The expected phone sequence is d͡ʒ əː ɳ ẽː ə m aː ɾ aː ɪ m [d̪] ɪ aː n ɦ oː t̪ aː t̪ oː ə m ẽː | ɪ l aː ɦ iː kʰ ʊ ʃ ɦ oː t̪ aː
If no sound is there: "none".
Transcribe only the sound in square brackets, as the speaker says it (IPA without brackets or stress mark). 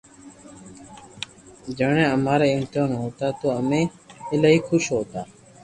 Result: t̪